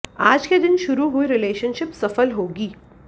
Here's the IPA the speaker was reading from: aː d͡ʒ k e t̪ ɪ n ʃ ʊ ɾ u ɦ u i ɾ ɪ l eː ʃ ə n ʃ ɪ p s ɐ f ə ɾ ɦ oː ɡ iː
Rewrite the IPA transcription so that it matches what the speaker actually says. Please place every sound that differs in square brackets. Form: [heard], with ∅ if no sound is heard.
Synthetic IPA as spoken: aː d͡ʒ k e [d̪] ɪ n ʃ ʊ ɾ u ɦ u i ɾ ɪ l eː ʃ ə n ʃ ɪ p s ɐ f ə [l] ɦ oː ɡ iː